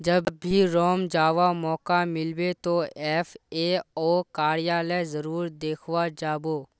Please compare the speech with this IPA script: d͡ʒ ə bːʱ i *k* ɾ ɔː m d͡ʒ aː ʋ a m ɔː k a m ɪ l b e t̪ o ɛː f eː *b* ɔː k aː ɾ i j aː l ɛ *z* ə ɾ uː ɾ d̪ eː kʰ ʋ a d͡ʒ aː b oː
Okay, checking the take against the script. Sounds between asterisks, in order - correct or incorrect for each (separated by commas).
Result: incorrect, incorrect, correct